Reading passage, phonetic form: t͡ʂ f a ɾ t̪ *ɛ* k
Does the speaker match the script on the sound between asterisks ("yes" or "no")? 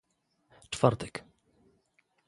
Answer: yes